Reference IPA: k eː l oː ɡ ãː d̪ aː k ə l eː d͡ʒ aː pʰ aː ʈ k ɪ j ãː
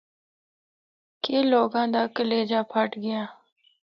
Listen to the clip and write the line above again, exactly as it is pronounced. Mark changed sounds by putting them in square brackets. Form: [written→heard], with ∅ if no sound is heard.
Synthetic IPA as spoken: k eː l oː ɡ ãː d̪ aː k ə l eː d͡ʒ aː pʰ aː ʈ [k→ɡ] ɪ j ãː

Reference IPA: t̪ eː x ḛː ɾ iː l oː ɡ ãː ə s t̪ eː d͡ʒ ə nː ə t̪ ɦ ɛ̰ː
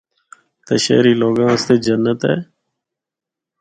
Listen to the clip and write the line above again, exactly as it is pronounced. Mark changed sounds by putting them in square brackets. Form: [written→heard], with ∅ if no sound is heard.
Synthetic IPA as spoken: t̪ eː [x→ʃ] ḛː ɾ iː l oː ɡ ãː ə s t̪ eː d͡ʒ ə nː ə t̪ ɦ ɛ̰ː

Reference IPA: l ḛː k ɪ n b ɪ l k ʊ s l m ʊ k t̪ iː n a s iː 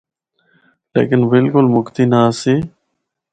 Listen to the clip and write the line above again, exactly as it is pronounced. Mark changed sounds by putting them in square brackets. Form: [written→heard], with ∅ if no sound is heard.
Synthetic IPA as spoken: l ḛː k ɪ n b ɪ l k ʊ [s→∅] l m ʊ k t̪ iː n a s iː

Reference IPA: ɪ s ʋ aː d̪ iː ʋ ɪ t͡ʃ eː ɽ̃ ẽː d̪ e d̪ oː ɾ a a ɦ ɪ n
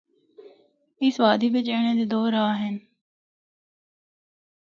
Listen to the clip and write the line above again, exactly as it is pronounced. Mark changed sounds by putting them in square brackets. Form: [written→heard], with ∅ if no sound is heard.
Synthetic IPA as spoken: ɪ s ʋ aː d̪ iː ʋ ɪ t͡ʃ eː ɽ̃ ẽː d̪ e d̪ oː ɾ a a ɦ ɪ n

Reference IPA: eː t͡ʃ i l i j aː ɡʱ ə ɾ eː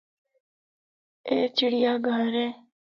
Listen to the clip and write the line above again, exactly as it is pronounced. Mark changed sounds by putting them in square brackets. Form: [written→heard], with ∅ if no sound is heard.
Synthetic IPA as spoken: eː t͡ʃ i [l→ɽ] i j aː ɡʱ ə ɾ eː

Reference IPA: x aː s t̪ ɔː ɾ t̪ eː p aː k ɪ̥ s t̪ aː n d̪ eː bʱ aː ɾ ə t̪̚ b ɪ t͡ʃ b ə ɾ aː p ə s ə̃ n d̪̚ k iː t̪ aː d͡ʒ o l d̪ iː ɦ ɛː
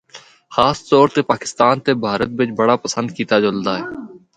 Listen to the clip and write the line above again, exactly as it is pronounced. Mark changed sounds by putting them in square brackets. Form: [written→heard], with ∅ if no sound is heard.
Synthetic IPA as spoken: x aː s t̪ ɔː ɾ t̪ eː p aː k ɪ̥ s t̪ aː n [d̪→t̪] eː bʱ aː ɾ ə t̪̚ b ɪ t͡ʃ b ə [ɾ→ɽ] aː p ə s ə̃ n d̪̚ k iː t̪ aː d͡ʒ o l d̪ [iː→aː] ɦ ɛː

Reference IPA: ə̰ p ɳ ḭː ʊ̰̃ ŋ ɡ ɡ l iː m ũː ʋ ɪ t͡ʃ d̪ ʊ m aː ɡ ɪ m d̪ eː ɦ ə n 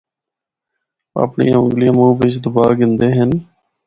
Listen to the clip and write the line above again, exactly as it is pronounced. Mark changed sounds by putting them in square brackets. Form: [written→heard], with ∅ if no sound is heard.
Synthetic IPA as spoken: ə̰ p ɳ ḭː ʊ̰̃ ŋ ɡ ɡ l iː m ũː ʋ ɪ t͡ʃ d̪ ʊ [m→b] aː ɡ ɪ [m→n] d̪ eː ɦ ə n

